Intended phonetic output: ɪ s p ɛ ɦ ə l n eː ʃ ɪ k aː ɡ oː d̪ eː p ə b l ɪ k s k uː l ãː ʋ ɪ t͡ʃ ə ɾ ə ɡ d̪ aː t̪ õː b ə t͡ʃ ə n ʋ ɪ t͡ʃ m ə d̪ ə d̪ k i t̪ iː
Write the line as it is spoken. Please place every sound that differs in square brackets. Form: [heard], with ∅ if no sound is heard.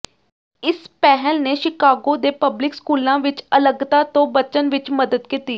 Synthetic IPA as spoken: ɪ s p ɛ ɦ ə l n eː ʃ ɪ k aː ɡ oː d̪ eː p ə b l ɪ k s k uː l ãː ʋ ɪ t͡ʃ ə [l] ə ɡ [t̪] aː t̪ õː b ə t͡ʃ ə n ʋ ɪ t͡ʃ m ə d̪ ə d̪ k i t̪ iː